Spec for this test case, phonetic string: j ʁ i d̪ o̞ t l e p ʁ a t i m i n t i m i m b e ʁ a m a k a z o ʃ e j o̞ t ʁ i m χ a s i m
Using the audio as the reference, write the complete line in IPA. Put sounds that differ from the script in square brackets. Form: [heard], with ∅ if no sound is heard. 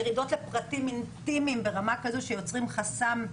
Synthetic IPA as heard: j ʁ i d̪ o̞ t l e p ʁ a t i m i n t i m i m b e ʁ a m a k a z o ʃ e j o̞ [t͡s] ʁ i m χ a s [a] m